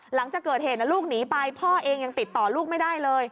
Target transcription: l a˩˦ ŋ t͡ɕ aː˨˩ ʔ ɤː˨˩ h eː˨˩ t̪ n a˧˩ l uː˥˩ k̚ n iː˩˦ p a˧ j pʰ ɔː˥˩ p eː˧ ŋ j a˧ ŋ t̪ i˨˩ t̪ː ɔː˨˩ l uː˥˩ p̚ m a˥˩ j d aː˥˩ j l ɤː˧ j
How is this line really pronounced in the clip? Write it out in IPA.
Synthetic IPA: l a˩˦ ŋ t͡ɕ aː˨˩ k ɤː˨˩ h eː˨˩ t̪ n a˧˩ l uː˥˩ k̚ n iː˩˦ p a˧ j pʰ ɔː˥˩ ʔ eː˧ ŋ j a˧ ŋ t̪ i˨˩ t̪ː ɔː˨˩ l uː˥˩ k̚ m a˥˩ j d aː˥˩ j l ɤː˧ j